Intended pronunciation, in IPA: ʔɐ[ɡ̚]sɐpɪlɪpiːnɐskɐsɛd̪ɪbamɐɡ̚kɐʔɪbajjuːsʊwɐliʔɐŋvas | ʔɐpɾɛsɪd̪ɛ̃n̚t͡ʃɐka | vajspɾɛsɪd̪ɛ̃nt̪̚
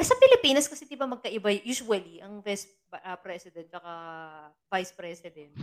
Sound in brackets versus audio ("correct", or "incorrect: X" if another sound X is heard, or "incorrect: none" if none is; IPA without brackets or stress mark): incorrect: none